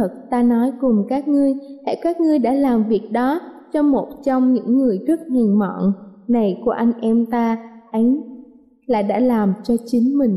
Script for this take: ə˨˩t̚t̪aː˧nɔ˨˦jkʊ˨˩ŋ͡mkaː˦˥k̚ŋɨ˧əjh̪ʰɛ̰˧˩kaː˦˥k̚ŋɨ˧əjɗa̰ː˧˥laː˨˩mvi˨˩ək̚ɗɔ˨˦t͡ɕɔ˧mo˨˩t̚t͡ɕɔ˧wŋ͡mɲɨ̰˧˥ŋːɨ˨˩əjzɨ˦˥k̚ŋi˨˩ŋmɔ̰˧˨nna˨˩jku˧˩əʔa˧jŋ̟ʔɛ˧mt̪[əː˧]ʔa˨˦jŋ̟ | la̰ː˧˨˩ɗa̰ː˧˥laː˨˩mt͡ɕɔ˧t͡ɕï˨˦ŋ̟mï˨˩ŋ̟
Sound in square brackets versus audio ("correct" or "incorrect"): incorrect